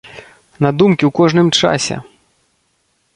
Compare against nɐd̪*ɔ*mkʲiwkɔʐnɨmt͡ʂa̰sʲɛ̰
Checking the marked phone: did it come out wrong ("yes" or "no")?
yes